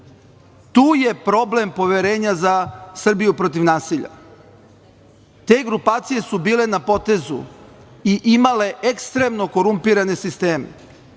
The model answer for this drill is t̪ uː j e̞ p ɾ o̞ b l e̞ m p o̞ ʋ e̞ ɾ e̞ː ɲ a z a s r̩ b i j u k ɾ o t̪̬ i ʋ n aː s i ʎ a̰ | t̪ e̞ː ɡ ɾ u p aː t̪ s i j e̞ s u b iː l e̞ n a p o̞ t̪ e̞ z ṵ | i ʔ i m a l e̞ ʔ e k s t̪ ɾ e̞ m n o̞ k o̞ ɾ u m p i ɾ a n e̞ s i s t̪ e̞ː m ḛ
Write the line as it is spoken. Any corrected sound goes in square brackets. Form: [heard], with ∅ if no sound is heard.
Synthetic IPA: t̪ uː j e̞ p ɾ o̞ b l e̞ m p o̞ ʋ e̞ ɾ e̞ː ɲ a z a s r̩ b i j u [p] ɾ o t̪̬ i ʋ n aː s i ʎ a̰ | t̪ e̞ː ɡ ɾ u p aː t̪ s i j e̞ s u b iː l e̞ n a p o̞ t̪ e̞ z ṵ | i ʔ i m a l e̞ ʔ e k s t̪ ɾ e̞ m n o̞ k o̞ ɾ u m p i ɾ a n e̞ s i s t̪ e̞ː m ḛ